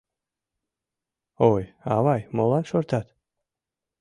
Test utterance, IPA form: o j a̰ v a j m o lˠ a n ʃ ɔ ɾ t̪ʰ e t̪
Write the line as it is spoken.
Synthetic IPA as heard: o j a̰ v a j m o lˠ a n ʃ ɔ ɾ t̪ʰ a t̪